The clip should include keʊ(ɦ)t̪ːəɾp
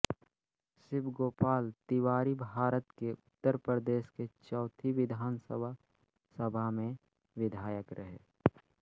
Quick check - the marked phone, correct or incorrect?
incorrect